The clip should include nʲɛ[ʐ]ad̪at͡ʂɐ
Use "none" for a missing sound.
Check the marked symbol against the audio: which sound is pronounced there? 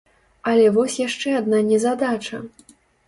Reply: z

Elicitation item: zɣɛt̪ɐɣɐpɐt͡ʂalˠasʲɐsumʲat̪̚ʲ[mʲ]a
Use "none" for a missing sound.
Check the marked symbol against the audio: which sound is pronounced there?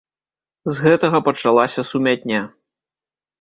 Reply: nʲ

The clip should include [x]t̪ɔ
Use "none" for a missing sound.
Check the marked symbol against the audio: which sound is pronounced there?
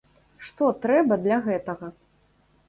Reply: ʂ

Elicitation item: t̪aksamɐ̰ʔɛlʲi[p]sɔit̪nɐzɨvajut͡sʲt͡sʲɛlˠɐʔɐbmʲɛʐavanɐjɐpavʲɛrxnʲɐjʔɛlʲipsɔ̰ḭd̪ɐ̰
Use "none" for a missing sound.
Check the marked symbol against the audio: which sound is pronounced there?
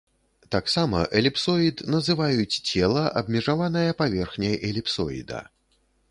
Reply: p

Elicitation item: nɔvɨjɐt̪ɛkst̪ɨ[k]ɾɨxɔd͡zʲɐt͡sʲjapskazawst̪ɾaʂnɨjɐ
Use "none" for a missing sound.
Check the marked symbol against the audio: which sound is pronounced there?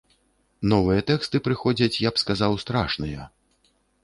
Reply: p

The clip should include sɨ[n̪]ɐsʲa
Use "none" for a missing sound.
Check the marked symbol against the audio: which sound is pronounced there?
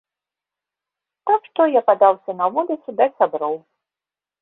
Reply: d̪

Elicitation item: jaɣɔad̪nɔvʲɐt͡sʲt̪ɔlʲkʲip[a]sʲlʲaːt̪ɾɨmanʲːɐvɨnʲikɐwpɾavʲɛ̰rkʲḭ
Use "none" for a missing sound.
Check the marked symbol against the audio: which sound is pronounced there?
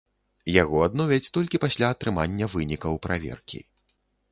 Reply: a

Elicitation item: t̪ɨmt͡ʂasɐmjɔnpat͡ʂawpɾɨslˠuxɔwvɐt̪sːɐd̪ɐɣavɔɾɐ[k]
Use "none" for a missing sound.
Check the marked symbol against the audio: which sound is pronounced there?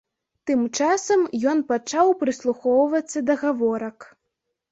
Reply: k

